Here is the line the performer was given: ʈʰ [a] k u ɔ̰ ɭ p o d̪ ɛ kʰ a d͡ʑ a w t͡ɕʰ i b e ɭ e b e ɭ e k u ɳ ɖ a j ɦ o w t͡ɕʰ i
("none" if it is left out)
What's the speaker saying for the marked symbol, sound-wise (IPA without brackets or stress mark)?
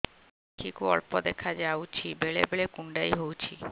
i